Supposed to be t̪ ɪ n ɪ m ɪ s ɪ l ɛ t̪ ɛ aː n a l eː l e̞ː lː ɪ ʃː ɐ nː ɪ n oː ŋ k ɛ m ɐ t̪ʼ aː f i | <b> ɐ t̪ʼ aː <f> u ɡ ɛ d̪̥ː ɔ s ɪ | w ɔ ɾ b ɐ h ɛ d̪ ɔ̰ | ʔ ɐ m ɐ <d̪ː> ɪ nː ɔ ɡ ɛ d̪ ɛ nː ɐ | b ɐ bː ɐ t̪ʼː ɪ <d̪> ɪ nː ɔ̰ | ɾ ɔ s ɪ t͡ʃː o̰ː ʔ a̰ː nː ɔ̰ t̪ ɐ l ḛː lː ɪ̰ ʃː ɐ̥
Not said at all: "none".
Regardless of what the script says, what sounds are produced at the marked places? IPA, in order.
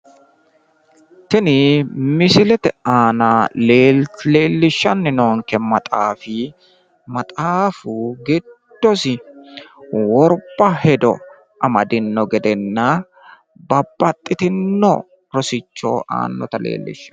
m, f, d̪, t̪

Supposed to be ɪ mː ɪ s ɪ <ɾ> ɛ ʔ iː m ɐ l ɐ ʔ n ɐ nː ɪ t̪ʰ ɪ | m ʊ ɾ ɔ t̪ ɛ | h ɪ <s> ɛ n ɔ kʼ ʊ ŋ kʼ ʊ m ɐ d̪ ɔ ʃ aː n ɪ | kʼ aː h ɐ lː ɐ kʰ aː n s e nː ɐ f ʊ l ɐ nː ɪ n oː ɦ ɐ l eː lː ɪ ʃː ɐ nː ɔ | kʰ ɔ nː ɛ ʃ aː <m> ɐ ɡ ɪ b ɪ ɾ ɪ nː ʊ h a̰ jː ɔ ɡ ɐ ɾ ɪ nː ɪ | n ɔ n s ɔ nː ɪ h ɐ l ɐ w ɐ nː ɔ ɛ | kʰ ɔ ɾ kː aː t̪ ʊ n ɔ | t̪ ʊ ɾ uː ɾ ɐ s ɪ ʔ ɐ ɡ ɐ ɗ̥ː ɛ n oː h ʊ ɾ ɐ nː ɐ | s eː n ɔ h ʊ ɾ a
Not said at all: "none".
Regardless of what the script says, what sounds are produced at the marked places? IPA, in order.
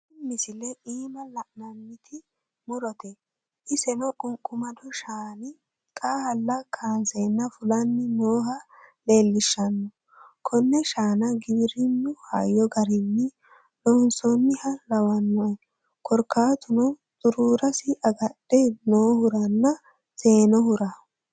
l, s, n

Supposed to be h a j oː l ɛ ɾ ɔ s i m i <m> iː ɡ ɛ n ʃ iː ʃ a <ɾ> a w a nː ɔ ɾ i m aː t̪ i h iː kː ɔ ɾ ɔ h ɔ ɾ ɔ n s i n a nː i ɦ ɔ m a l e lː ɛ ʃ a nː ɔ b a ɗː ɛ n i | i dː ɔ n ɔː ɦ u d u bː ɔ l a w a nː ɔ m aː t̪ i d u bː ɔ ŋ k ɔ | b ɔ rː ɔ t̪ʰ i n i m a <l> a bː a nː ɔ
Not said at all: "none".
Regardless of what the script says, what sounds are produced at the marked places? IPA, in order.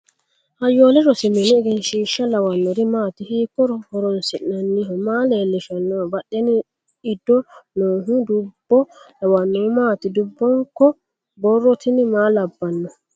n, l, l

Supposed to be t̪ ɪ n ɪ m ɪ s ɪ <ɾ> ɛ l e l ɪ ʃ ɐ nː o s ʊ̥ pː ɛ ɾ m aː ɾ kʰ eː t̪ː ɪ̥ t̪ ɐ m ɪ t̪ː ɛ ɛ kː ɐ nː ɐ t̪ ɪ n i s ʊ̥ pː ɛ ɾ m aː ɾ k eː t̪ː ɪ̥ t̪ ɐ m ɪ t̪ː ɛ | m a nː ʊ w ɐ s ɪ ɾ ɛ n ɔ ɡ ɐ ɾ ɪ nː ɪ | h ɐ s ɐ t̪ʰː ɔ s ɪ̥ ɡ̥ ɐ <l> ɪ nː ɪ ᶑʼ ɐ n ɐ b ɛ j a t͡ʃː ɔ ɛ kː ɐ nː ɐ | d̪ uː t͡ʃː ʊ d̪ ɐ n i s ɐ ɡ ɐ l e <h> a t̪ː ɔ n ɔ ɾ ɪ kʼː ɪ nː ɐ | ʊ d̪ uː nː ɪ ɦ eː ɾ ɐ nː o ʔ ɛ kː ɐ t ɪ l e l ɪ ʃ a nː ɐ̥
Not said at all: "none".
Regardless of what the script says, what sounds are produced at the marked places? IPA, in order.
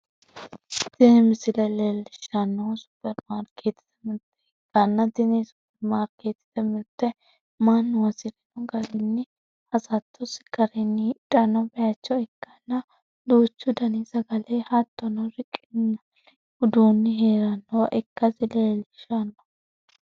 l, ɾ, h

